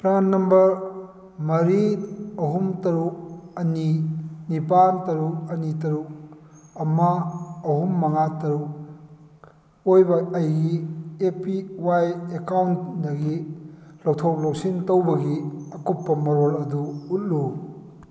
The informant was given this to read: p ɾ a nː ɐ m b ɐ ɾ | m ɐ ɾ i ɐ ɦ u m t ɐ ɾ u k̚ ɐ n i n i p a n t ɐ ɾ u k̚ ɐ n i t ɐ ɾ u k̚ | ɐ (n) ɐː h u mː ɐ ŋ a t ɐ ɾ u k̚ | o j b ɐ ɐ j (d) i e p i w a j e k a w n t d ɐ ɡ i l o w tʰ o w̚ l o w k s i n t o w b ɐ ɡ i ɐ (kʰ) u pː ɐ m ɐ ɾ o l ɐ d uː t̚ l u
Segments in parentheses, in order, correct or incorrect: incorrect, incorrect, incorrect

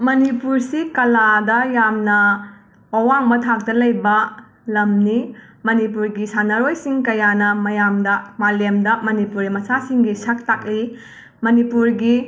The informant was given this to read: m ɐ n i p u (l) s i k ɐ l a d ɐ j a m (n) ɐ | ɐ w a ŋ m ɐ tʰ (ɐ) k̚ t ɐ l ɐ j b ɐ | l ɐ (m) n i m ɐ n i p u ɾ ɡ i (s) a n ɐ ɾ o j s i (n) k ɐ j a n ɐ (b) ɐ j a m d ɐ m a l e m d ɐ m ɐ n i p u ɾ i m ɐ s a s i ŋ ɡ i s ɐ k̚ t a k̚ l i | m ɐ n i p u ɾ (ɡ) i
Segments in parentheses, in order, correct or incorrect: incorrect, correct, incorrect, correct, correct, incorrect, incorrect, correct

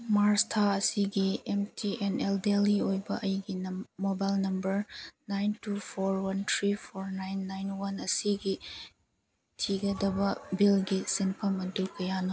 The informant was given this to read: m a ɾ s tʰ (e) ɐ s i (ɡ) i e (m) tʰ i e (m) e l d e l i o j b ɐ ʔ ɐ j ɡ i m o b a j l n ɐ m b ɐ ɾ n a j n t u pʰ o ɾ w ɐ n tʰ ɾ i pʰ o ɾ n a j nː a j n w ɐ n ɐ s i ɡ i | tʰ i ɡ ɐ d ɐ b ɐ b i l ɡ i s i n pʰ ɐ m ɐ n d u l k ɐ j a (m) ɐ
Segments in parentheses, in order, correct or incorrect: incorrect, correct, correct, incorrect, incorrect

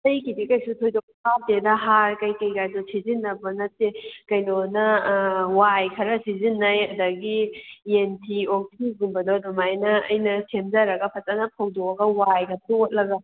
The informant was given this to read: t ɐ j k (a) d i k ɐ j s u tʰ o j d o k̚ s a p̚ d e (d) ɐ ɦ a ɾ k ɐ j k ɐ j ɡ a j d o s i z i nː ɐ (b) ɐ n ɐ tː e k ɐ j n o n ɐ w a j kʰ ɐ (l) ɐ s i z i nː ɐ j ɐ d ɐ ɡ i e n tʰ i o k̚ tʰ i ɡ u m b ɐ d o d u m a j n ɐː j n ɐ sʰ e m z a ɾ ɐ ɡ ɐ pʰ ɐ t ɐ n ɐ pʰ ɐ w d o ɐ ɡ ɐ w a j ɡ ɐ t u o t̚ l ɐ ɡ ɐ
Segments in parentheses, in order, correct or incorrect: incorrect, correct, correct, incorrect

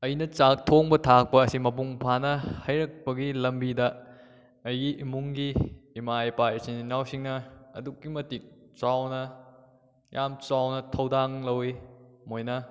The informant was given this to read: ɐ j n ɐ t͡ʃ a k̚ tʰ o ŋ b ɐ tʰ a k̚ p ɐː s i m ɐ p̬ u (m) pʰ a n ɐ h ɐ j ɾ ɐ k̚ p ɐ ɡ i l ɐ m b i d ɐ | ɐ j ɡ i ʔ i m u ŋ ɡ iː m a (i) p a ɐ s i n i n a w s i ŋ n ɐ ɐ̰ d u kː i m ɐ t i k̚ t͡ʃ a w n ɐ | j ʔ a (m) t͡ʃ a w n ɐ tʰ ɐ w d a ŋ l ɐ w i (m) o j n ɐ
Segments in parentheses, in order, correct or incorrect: incorrect, incorrect, correct, correct

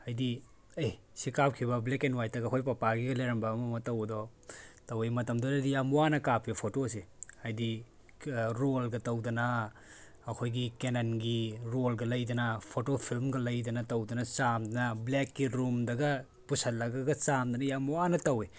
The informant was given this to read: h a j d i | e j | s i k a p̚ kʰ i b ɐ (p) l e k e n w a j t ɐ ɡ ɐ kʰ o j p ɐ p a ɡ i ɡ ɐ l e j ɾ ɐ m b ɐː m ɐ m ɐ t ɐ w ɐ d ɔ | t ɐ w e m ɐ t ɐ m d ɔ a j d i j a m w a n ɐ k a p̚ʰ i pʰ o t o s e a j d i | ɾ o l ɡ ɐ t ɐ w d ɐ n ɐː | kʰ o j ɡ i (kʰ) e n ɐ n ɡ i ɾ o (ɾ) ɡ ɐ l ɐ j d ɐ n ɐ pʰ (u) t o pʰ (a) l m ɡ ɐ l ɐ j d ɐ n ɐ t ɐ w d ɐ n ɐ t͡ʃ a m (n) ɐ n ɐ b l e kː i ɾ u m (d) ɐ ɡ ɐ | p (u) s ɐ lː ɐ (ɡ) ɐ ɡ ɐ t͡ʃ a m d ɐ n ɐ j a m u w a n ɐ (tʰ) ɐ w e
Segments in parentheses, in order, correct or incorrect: incorrect, incorrect, incorrect, incorrect, incorrect, incorrect, correct, correct, correct, incorrect

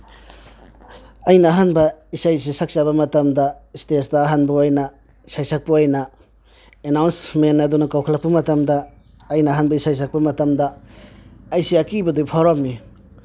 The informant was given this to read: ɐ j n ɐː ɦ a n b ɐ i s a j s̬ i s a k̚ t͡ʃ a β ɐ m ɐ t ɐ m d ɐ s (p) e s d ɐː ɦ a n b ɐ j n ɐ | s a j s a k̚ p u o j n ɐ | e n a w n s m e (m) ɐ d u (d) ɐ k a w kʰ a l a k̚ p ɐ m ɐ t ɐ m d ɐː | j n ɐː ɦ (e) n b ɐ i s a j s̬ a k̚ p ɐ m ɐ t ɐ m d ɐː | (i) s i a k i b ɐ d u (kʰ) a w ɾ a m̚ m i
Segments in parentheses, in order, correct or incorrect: incorrect, incorrect, incorrect, incorrect, incorrect, incorrect

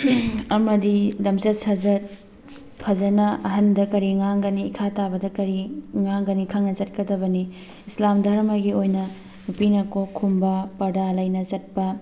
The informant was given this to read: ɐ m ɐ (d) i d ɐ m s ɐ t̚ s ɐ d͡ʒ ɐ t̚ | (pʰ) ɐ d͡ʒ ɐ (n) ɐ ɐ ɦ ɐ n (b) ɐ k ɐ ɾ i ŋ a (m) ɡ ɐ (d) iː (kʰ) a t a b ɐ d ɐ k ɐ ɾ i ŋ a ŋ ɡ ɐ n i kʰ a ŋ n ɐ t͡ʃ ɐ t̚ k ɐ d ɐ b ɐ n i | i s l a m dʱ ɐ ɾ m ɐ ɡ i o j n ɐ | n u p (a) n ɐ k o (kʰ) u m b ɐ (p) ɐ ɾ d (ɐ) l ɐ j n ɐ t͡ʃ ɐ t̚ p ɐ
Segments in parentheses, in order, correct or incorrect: correct, correct, correct, incorrect, incorrect, incorrect, correct, incorrect, correct, correct, incorrect

